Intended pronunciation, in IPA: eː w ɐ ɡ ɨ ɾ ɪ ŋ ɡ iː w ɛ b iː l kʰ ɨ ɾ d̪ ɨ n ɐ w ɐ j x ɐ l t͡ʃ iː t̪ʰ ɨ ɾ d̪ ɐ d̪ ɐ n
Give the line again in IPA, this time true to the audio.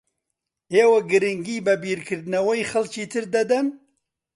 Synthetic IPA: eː w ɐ ɡ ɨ ɾ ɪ ŋ ɡ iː b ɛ b iː ɾ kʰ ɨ ɾ d̪ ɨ n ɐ w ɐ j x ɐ l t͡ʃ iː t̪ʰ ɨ ɾ d̪ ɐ d̪ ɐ n

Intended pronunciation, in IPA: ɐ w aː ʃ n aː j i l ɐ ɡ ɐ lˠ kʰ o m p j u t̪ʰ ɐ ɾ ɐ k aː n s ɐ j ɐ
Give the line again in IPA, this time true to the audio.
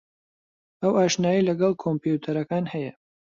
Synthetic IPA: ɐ w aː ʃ n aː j i l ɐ ɡ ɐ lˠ kʰ o m p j u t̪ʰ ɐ ɾ ɐ k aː n h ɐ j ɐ

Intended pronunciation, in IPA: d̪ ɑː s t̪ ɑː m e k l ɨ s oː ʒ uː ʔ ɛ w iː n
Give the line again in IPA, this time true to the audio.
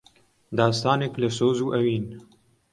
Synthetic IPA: d̪ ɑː s t̪ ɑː n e k l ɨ s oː z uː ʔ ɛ w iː n

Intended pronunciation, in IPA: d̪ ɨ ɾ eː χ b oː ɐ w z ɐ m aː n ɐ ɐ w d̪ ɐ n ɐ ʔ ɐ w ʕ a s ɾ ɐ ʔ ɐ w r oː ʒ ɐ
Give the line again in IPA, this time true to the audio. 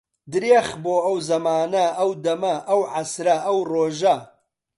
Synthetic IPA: d̪ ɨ ɾ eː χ b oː ɐ w z ɐ m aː n ɐ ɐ w d̪ ɐ m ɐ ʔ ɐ w ʕ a s ɾ ɐ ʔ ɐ w r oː ʒ ɐ

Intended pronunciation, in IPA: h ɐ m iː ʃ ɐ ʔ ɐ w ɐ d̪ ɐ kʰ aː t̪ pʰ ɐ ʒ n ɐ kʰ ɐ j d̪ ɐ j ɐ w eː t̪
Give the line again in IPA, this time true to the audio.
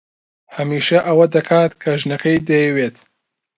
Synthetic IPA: h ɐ m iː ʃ ɐ ʔ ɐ w ɐ d̪ ɐ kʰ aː t̪ kʰ ɐ ʒ n ɐ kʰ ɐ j d̪ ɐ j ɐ w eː t̪

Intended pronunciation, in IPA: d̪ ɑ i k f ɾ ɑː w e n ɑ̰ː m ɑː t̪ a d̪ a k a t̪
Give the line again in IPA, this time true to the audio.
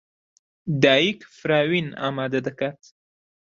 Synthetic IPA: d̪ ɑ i k f ɾ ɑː w i n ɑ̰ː m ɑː d̪ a d̪ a k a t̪

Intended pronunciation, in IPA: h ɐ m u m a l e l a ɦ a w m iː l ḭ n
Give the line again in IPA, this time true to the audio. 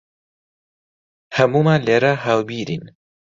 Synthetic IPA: h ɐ m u m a l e ɾ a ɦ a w b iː ɾ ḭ n

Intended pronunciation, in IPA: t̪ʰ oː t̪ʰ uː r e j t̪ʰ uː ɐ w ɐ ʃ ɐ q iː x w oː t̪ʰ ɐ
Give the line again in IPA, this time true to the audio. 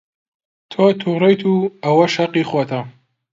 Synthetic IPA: t̪ʰ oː t̪ʰ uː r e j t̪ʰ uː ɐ w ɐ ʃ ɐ q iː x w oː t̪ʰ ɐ

